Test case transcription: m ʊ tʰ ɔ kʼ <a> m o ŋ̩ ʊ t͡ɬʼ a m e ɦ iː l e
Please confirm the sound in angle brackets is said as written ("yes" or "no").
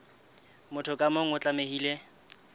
yes